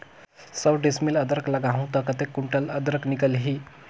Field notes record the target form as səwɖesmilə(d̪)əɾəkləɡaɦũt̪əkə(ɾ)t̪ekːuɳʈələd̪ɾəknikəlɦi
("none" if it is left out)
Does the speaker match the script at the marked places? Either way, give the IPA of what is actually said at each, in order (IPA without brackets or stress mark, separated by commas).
d̪, none